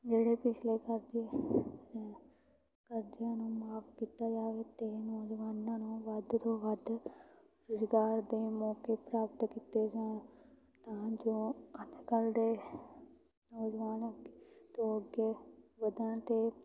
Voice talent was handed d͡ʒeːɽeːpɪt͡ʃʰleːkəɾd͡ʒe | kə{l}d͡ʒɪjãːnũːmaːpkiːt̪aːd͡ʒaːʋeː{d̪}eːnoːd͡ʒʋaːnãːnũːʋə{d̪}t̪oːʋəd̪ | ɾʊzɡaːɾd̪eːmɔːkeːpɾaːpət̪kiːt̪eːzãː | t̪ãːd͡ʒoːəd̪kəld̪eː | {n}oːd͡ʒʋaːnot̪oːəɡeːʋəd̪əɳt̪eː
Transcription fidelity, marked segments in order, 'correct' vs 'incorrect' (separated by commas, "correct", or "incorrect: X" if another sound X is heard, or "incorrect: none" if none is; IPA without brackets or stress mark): incorrect: ɾ, incorrect: t̪, correct, correct